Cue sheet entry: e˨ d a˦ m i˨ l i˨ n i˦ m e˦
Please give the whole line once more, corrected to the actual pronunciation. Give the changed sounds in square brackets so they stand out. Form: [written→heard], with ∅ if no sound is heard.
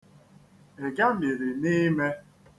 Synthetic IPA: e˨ [d→ɡ] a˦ m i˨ [l→ɾ] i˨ n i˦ m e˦